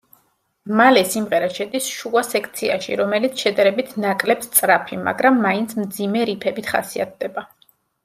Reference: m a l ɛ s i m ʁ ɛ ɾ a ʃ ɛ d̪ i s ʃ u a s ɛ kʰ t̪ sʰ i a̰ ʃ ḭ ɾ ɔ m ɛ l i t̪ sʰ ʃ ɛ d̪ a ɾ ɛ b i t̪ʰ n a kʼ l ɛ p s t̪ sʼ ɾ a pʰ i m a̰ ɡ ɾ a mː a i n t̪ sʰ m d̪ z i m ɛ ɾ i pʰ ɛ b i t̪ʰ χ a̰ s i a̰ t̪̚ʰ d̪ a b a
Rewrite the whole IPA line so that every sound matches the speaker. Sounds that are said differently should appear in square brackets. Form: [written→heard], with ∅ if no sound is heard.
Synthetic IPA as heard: m a l ɛ s i m ʁ ɛ ɾ a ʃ ɛ d̪ i s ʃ u a s ɛ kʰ t̪ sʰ i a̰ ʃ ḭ ɾ ɔ m ɛ l i t̪ sʰ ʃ ɛ d̪ a ɾ ɛ b i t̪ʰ n a kʼ l ɛ p s t̪ sʼ ɾ a pʰ i m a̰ ɡ ɾ a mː a i n t̪ sʰ m d̪ z i m ɛ ɾ i pʰ ɛ b i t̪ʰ χ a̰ s i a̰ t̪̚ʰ d̪ [a→ɛ] b a